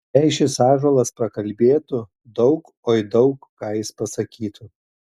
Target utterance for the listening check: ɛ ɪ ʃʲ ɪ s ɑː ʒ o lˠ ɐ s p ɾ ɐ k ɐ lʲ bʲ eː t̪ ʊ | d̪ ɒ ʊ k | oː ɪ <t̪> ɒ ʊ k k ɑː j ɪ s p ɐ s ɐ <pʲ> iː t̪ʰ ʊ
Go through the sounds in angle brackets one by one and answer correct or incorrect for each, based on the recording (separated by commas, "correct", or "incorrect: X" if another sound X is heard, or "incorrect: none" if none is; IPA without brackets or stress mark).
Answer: incorrect: d̪, incorrect: kʲ